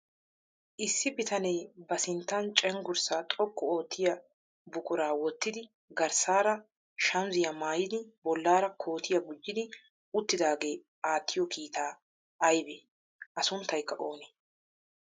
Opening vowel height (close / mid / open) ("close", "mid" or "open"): close